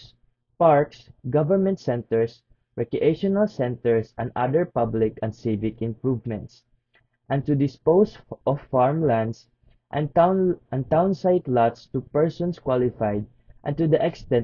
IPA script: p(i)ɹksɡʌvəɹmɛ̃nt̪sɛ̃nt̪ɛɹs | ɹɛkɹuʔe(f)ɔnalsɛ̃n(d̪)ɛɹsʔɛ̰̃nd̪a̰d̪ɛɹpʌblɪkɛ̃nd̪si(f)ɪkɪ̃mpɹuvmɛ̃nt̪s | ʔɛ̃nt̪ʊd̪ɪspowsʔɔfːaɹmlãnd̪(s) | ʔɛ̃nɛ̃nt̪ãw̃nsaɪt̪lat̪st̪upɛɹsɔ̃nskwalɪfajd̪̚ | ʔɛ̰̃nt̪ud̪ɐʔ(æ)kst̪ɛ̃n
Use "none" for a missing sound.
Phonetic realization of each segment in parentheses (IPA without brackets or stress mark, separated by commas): a, ʃ, t̪, v, s, ɛ